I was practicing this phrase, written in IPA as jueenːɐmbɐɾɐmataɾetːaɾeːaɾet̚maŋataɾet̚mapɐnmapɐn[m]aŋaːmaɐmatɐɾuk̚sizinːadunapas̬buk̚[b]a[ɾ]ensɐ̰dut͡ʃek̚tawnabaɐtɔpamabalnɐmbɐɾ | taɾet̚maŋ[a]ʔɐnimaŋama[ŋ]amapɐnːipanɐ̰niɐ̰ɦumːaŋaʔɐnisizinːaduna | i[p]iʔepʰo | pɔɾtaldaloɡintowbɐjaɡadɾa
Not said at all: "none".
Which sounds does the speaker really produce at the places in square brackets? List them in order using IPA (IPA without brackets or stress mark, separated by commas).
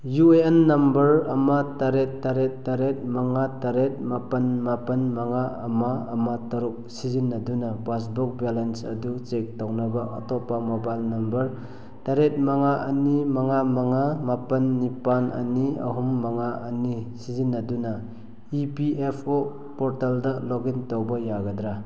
m, b, l, a, ŋ, p